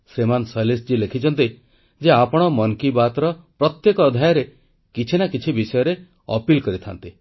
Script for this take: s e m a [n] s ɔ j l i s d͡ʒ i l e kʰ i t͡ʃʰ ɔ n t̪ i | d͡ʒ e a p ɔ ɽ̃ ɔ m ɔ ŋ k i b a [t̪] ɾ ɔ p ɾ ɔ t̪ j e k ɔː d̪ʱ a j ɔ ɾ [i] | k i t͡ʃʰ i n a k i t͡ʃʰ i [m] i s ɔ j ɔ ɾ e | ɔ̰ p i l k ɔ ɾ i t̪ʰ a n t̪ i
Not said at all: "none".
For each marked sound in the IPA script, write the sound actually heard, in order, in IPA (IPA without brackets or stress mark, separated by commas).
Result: n, t̪, e, b